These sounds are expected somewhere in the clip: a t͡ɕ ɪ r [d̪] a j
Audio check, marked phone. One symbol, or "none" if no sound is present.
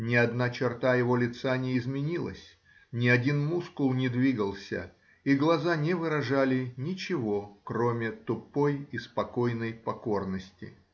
t̪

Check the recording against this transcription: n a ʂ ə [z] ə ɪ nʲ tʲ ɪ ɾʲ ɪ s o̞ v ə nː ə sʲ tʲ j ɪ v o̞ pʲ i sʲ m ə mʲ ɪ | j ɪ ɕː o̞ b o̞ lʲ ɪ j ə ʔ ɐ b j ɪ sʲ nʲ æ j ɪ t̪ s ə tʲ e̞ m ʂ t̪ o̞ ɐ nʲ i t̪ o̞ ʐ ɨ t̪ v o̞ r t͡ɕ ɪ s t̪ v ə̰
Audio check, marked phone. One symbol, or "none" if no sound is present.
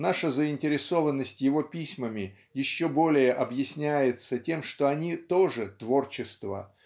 z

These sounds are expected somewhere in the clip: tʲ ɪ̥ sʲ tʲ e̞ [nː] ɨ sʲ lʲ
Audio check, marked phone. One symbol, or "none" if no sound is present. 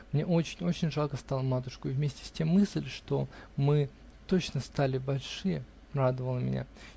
mː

